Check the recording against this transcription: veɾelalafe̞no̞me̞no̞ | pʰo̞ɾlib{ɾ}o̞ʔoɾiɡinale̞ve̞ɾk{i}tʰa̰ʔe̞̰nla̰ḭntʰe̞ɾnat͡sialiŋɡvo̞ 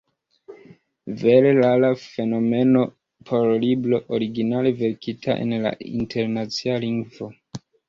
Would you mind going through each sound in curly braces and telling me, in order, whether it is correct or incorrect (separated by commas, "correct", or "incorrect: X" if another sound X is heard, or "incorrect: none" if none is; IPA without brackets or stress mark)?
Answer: incorrect: l, correct